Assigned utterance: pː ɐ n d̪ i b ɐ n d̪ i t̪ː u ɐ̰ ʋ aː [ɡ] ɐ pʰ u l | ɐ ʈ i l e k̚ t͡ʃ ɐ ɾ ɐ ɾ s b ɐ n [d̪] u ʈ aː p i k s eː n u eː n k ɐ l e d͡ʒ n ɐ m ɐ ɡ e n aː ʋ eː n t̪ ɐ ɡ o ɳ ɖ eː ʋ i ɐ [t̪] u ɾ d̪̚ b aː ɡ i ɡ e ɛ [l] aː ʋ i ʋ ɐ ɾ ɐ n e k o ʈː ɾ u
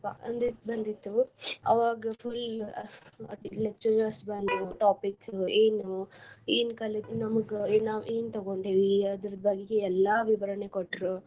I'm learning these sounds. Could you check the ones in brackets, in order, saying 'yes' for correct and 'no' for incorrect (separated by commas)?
yes, yes, no, no